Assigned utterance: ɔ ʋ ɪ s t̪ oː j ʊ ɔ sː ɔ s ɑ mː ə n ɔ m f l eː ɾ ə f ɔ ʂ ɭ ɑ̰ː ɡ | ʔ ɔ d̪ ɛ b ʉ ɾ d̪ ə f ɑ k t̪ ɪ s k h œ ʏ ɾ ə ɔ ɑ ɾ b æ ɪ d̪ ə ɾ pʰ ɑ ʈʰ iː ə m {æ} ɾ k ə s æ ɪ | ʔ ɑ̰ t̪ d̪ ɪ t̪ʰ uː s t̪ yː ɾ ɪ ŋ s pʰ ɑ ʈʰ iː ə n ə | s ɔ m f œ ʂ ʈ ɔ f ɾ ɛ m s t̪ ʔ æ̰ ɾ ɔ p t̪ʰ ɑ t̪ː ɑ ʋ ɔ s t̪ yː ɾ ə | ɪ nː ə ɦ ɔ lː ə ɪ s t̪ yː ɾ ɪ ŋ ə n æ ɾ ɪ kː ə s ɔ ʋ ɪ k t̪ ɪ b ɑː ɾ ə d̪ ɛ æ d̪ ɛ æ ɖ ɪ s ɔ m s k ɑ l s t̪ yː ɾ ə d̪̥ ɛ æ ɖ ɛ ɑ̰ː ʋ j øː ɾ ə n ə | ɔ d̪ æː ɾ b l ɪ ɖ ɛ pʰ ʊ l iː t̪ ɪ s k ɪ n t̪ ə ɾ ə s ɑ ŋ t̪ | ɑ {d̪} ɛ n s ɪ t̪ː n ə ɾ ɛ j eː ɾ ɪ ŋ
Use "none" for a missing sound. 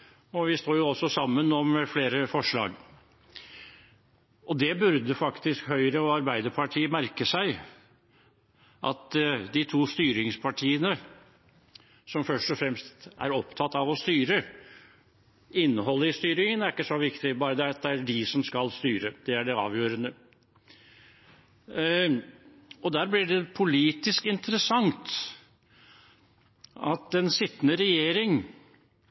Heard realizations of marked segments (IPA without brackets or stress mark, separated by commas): æ, t̪